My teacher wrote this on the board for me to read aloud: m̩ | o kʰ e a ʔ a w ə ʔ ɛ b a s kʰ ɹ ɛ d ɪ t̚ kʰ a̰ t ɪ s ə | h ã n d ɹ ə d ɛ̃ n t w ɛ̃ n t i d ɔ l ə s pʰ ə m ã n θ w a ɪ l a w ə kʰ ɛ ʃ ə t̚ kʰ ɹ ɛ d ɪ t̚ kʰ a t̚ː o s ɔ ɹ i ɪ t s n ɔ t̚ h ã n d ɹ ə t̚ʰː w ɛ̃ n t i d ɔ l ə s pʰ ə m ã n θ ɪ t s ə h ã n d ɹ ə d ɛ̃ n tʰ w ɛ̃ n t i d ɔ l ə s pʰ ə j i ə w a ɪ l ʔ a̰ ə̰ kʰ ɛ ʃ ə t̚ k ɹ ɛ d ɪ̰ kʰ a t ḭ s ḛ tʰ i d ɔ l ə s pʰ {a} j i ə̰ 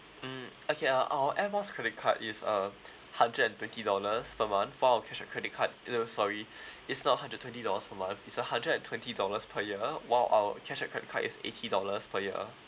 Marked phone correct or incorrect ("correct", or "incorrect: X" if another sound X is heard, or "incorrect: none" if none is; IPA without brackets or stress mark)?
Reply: incorrect: ə